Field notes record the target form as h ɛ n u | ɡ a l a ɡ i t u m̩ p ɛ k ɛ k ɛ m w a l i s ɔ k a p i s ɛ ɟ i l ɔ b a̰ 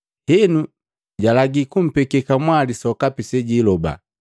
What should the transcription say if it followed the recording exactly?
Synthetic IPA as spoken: h ɛ n u | ɟ a l a ɡ i k u m̩ p ɛ k ɛ k a m w a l i s ɔ k a p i s ɛ ɟ i l ɔ b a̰

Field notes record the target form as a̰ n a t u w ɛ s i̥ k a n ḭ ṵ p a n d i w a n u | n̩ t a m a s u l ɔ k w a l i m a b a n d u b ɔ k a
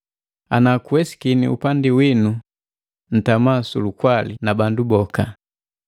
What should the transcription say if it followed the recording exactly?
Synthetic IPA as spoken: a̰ n a k u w ɛ s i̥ k i n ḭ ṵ p a n d i w i n u | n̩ t a m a s u l u k w a l i n a b a n d u b ɔ k a

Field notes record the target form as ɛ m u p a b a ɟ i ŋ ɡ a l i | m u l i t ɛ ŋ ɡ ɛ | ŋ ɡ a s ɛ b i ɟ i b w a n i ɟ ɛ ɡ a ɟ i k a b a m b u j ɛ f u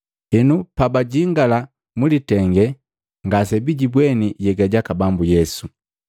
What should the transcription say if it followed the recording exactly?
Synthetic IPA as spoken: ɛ n u p a b a ɟ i ŋ ɡ a l a | m u l i t ɛ ŋ ɡ ɛ | ŋ ɡ a s ɛ b i ɟ i b w ɛ n i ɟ ɛ ɡ a ɟ a k a b a m b u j ɛ s u

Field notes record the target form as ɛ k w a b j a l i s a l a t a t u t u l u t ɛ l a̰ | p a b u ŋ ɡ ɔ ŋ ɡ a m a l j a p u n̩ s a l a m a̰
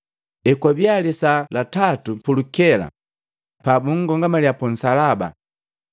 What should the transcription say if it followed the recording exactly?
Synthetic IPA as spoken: ɛ k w a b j a l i s a l a t a t u p u l u k ɛ l a̰ | p a b u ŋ ɡ ɔ ŋ ɡ a m a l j a p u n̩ s a l a b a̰

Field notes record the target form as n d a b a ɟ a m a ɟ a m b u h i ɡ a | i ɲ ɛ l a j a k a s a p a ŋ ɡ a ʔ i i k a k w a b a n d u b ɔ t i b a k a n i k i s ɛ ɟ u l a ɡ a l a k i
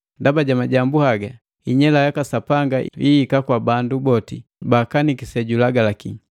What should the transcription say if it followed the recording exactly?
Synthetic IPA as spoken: n d a b a ɟ a m a ɟ a m b u h a ɡ a | i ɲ ɛ l a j a k a s a p a ŋ ɡ a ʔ i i k a k w a b a n d u b ɔ t i b a k a n i k i s ɛ ɟ u l a ɡ a l a k i

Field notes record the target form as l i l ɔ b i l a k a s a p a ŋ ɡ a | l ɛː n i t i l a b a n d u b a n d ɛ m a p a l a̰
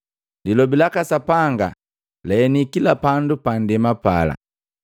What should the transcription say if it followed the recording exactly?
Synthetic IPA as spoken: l i l ɔ b i l a k a s a p a ŋ ɡ a | l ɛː n i k i l a p a n d u p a n d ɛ m a p a l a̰

